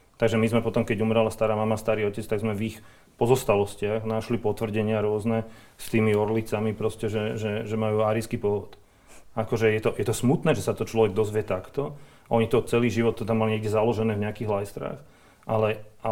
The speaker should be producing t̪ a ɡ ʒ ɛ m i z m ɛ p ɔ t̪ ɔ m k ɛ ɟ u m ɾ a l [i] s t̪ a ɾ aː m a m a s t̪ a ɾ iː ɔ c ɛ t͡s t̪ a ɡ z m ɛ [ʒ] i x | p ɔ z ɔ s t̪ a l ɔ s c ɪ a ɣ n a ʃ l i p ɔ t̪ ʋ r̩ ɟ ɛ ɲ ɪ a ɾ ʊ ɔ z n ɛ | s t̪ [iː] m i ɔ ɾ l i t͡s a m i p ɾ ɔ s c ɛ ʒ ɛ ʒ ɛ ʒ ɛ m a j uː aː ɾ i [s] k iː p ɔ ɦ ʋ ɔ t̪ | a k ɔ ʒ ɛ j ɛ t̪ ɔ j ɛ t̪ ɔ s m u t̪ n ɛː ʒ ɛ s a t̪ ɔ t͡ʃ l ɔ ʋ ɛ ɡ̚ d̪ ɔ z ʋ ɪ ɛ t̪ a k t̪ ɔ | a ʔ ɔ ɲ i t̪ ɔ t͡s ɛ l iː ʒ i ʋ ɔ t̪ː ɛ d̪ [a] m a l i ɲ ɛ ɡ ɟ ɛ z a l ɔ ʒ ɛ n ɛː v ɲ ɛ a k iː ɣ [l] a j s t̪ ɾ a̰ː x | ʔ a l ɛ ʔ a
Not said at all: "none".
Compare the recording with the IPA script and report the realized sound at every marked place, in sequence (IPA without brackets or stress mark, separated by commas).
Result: a, v, iː, s, a, l